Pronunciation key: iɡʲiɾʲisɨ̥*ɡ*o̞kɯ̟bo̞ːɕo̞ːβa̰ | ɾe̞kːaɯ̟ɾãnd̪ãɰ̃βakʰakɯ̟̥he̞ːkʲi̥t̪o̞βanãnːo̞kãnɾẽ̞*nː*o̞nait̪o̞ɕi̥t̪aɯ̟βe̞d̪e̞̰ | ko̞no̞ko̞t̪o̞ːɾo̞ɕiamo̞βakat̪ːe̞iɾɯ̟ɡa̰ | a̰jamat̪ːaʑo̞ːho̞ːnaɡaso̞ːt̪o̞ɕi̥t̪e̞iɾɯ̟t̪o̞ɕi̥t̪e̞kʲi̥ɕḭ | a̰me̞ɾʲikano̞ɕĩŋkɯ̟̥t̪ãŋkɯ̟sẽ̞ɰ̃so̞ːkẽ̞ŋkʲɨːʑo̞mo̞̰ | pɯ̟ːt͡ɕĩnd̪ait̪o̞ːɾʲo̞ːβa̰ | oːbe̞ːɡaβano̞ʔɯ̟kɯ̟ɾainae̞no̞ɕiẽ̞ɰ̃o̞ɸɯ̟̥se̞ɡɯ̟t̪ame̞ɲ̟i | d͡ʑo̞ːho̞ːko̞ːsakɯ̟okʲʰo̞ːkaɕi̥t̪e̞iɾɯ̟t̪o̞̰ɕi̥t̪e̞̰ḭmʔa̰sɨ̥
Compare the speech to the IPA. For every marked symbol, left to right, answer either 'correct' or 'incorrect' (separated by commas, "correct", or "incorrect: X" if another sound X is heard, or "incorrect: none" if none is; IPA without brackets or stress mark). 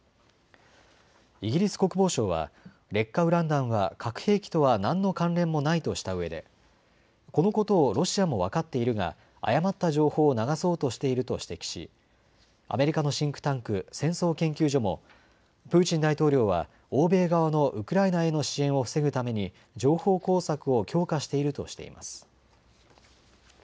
incorrect: k, incorrect: mː